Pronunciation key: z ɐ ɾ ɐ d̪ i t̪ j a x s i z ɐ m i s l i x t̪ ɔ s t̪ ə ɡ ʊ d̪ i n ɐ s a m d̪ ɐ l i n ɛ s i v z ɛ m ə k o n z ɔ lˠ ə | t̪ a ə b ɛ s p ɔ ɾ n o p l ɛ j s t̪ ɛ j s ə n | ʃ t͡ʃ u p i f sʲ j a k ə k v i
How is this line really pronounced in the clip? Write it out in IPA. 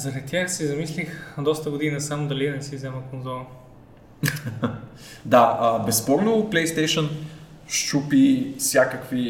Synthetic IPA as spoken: z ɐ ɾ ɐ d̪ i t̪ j a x s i z ɐ m i s l i x d̪ ɔ s t̪ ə ɡ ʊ d̪ i n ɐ s a m d̪ ɐ l i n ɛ s i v z ɛ m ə k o n z ɔ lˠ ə | d̪ a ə b ɛ s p ɔ ɾ n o p l ɛ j s t̪ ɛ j ʃ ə n | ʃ t͡ʃ u p i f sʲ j a k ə k v i